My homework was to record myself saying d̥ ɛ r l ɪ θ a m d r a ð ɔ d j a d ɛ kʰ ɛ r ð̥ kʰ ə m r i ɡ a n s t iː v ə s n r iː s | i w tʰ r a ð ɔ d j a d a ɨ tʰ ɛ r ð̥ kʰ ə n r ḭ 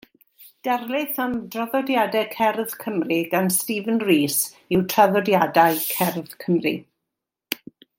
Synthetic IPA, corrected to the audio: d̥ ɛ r l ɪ θ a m d r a ð ɔ d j a d ɛ kʰ ɛ r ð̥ kʰ ə m r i ɡ a n s t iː v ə n r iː s | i w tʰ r a ð ɔ d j a d a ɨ kʰ ɛ r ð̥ kʰ ə m r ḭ